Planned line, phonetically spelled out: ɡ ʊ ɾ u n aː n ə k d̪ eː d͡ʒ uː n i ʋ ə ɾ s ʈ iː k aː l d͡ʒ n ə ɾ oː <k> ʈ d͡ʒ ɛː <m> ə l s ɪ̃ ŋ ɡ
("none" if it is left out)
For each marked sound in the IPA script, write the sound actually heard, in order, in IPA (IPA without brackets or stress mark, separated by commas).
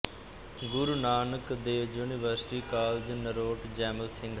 none, m